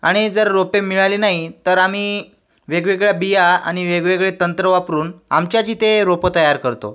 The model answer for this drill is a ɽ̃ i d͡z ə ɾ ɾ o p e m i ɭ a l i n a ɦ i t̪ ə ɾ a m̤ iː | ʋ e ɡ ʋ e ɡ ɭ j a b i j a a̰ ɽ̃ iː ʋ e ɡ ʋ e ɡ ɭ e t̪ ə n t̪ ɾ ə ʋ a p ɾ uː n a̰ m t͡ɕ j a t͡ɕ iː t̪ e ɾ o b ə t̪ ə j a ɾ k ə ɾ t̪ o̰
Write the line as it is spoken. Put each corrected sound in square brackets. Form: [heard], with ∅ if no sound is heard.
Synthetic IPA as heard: a ɽ̃ i d͡z ə ɾ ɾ o p e m i ɭ a l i n a ɦ i t̪ ə ɾ a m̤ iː | ʋ e ɡ ʋ e ɡ ɭ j a b i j a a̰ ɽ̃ [i] ʋ e ɡ ʋ e ɡ ɭ e t̪ ə n t̪ ɾ ə ʋ a p ɾ uː n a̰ m t͡ɕ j a t͡ɕ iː t̪ e ɾ o [p] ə t̪ ə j a ɾ k ə ɾ t̪ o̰